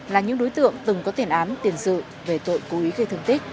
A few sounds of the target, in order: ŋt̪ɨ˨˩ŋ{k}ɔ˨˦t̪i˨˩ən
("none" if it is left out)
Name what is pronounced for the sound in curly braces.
k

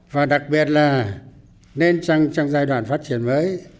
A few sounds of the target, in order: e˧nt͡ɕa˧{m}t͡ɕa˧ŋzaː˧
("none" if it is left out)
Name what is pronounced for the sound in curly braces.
ŋ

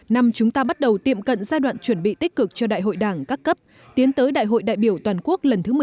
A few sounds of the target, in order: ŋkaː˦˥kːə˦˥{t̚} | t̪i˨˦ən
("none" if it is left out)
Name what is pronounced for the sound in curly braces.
p̚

